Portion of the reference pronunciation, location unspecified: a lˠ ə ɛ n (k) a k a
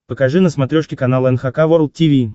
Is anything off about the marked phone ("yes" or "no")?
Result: yes